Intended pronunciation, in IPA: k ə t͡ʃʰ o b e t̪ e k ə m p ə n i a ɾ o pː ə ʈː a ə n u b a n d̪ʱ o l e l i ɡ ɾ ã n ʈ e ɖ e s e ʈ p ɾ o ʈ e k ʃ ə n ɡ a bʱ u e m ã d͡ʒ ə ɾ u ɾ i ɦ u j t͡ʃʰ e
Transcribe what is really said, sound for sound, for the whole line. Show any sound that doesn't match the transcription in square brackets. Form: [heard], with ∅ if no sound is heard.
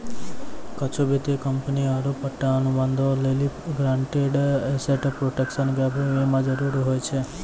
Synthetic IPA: k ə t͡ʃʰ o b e t̪ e k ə m p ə n i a ɾ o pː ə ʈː a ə n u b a n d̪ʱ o l e l i ɡ ɾ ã [ɳ] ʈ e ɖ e s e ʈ p ɾ o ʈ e k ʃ ə n ɡ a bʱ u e m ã d͡ʒ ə ɾ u ɾ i ɦ [o] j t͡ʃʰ e